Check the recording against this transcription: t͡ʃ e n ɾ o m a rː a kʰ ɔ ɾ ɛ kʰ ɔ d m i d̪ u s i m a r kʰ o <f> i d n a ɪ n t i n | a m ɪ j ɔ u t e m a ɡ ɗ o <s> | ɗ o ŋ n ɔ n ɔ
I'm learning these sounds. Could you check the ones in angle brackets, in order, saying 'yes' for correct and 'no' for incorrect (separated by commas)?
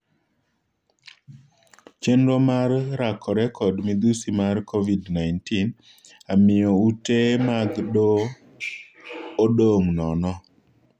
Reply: no, no